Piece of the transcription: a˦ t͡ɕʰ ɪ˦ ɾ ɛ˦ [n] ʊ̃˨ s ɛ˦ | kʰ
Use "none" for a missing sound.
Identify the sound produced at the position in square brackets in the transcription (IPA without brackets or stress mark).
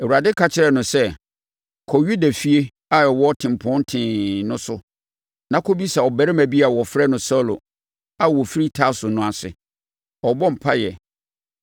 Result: n